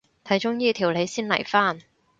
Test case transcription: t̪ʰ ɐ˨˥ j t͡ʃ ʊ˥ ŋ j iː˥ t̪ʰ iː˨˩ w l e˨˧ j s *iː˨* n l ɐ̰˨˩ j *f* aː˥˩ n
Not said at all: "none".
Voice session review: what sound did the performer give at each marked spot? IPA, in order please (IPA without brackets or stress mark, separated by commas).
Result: iː˥, f